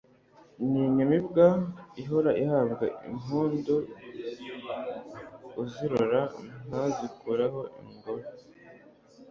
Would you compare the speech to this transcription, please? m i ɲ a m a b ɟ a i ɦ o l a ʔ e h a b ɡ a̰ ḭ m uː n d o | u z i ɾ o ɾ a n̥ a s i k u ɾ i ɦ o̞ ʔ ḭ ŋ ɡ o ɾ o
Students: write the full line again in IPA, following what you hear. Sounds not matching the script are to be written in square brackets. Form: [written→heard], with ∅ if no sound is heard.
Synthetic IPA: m i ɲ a m [a→i] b [ɟ→ɡ] a i ɦ o [l→ɾ] a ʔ [e→i] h a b ɡ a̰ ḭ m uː n d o | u z i ɾ o ɾ a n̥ a [s→z] i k u ɾ [i→a] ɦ o̞ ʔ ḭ ŋ ɡ o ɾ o